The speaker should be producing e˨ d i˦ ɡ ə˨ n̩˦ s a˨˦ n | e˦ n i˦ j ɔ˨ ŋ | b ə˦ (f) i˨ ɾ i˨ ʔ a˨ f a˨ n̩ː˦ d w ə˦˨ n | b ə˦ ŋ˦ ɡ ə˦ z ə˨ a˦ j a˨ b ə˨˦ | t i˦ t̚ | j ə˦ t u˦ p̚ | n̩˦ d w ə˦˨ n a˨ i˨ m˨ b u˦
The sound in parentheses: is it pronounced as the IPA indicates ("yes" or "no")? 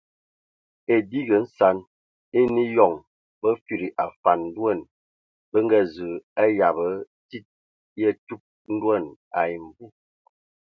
yes